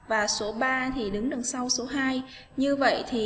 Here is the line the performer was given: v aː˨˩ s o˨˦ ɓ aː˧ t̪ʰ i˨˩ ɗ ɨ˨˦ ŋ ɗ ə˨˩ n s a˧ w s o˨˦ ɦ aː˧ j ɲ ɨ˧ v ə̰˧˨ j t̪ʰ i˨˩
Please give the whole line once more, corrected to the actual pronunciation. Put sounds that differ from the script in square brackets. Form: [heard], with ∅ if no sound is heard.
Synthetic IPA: v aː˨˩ s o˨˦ ɓ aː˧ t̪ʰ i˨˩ ɗ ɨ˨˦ ŋ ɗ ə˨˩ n s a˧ w s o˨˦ ɦ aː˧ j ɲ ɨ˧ v ə̰˧˨ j t̪ʰ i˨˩